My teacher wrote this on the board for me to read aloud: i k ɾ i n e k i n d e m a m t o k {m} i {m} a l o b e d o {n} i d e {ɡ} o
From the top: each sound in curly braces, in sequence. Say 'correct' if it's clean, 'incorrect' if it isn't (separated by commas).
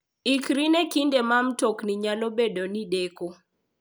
incorrect, incorrect, correct, incorrect